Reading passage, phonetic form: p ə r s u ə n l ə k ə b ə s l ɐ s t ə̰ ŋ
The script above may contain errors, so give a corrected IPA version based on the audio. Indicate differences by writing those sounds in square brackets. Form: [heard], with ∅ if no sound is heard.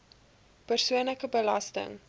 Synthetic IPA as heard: p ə r s u ə n l ə k ə b ə [∅] l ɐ s t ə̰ ŋ